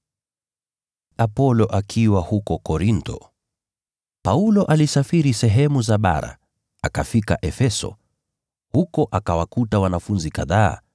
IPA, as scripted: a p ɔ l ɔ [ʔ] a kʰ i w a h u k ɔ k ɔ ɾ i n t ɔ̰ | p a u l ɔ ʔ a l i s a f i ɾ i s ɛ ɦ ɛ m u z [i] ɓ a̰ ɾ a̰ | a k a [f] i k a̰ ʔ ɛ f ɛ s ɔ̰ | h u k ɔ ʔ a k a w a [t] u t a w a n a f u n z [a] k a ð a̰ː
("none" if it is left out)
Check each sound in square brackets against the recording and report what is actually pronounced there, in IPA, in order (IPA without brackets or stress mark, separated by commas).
ʔ, a, f, k, i